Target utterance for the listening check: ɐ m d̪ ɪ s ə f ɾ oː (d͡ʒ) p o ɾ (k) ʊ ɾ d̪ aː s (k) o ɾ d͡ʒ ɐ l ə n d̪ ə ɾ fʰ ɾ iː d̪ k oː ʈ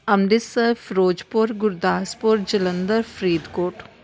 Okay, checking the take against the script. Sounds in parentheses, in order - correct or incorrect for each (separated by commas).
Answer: correct, incorrect, incorrect